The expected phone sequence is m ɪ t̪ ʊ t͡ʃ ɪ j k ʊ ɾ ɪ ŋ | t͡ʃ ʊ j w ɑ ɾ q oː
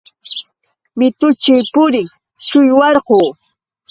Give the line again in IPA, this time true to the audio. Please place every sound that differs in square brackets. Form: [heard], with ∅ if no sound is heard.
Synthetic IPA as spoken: m ɪ t̪ ʊ t͡ʃ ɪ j [p] ʊ ɾ ɪ ŋ | t͡ʃ ʊ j w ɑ ɾ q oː